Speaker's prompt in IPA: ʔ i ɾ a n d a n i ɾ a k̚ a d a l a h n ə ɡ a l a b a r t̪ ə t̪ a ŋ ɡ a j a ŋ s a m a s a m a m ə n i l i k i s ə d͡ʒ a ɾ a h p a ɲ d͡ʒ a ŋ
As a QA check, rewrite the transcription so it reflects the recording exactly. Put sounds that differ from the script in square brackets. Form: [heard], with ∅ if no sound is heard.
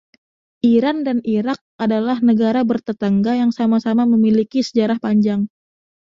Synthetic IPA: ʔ i ɾ a n d a n i ɾ a k̚ a d a l a h n ə ɡ a [ɾ] a b [ə] r t̪ ə t̪ a ŋ ɡ a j a ŋ s a m a s a m a m ə [m] i l i k i s ə d͡ʒ a ɾ a h p a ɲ d͡ʒ a ŋ

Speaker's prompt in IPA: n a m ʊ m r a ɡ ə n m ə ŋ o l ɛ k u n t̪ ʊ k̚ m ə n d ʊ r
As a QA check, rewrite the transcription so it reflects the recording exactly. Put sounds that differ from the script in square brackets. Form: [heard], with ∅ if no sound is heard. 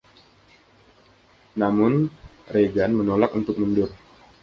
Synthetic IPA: n a m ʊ [n] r [e] ɡ [a] n m ə [n] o l [a] k u n t̪ ʊ k̚ m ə n d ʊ r

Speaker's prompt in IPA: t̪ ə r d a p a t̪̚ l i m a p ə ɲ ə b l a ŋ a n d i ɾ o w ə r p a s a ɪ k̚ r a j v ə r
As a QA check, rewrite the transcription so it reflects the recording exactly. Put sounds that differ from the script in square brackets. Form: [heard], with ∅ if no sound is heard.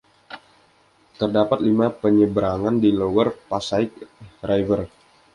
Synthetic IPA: t̪ ə r d a p a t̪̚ l i m a p ə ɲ ə b [ɾ] a ŋ a n d i [l] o w ə r p a s a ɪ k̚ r a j v ə r

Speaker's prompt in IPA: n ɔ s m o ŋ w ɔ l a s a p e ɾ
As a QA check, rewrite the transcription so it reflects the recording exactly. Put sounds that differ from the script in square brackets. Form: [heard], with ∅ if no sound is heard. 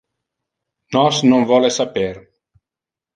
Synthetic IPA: n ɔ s [n] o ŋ [v] ɔ l [e] s a p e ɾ

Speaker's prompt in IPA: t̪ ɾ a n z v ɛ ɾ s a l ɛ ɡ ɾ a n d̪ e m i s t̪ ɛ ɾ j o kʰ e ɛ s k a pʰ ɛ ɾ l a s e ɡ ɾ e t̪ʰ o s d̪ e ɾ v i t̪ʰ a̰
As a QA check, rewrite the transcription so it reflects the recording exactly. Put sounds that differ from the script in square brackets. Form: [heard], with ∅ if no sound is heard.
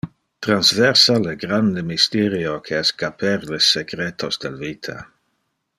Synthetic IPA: t̪ ɾ a n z v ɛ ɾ s a l [e] ɡ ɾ a n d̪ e m i s t̪ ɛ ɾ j o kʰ e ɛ s k a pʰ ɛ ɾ l [e] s e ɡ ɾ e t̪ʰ o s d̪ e [l] v i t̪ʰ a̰

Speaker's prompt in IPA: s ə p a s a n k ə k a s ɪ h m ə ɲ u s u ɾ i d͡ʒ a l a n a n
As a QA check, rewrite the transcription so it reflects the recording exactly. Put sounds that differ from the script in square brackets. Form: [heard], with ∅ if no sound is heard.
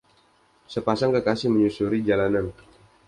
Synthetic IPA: s ə p a s a [ŋ] k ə k a s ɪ h m ə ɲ u s u ɾ i d͡ʒ a l a n a n

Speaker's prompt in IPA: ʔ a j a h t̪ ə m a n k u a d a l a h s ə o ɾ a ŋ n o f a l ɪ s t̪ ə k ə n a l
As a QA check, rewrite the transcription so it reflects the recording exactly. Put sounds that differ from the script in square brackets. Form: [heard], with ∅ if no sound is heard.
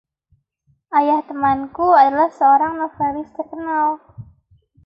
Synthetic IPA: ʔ a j a h t̪ ə m a n k u a d a l a h s ə o ɾ a ŋ n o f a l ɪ s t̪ ə k ə n a l

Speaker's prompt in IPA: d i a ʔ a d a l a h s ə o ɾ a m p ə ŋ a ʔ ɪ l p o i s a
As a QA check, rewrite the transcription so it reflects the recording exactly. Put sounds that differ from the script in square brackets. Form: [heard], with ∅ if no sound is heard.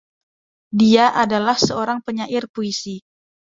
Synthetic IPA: d i a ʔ a d a l a h s ə o ɾ a [ŋ] p ə [ɲ] a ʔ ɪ [r] p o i s [i]

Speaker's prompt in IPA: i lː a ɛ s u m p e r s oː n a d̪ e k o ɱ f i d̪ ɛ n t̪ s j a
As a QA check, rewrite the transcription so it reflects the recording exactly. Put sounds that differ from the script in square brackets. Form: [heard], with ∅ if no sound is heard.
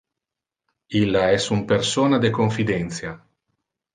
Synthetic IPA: i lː a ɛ s u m p e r s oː n a d̪ e k o ɱ f i d̪ ɛ n t̪ s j a

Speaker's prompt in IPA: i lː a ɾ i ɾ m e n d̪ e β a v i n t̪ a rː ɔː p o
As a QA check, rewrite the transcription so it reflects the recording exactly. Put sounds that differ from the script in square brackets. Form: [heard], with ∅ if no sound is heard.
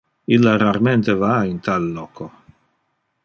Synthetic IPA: i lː a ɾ [a] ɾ m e n [t̪] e [v] a [∅] i n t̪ a [lː] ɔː [k] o

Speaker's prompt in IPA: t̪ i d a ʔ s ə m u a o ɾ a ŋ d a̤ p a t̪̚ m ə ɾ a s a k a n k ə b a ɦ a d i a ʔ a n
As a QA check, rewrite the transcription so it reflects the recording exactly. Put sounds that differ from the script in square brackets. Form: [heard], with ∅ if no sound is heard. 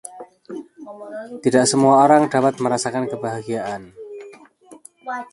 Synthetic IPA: t̪ i d a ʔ s ə m u a o ɾ a ŋ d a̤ p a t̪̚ m ə ɾ a s a k a n k ə b a ɦ a [ɡ] i a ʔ a n

